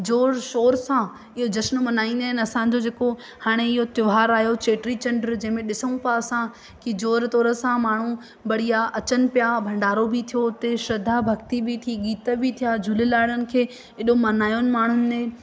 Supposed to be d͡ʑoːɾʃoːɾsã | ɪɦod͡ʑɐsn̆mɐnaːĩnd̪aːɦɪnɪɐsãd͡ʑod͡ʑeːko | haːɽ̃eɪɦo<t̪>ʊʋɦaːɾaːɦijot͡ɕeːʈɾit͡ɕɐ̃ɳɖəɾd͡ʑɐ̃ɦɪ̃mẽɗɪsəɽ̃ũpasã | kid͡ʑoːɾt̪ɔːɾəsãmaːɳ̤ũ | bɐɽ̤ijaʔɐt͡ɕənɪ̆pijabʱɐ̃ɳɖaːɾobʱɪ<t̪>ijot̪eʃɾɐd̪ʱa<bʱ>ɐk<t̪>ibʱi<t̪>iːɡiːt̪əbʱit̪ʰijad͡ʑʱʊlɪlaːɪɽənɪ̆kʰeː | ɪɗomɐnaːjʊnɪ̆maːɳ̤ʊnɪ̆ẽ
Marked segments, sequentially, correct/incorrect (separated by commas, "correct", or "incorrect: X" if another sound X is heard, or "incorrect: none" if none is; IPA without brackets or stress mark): correct, incorrect: t̪ʰ, correct, correct, incorrect: t̪ʰ